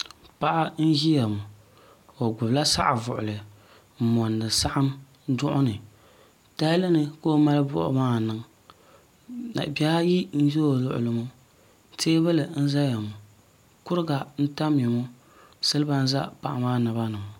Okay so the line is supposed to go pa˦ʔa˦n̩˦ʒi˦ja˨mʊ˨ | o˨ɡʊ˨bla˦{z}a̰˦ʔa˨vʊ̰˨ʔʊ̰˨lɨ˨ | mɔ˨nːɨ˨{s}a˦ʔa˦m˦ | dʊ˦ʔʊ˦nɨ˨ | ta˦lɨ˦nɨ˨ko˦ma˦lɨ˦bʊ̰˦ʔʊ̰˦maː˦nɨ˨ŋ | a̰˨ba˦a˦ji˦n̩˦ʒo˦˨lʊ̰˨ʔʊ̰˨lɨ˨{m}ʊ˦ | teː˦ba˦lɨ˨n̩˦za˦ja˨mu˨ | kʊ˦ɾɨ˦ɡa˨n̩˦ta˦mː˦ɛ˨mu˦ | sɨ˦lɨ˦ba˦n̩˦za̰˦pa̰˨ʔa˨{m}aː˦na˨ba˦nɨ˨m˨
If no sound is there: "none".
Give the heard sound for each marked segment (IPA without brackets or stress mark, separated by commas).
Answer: s, s, m, m